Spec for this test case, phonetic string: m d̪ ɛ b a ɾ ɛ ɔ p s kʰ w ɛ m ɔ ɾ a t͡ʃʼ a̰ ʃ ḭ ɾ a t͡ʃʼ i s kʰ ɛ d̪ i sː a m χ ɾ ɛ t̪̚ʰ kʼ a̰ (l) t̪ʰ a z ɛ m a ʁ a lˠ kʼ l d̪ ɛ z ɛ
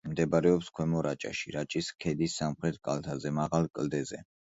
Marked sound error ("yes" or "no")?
no